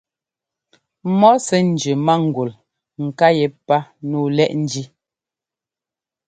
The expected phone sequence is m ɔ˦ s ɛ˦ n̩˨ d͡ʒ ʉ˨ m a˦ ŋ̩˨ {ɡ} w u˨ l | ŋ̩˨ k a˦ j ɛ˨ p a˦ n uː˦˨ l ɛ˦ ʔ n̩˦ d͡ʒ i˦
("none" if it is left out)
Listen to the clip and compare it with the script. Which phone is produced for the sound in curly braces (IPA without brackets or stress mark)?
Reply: ɡ